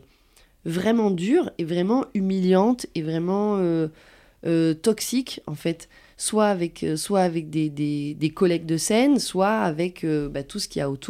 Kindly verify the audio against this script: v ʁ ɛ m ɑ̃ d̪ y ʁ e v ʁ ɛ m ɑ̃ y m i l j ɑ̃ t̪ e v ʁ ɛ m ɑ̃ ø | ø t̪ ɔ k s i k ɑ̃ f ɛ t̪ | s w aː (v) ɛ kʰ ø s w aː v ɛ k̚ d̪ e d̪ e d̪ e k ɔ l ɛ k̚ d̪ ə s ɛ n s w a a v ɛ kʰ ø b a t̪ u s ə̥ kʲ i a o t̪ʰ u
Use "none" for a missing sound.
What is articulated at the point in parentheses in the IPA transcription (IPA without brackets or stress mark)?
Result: v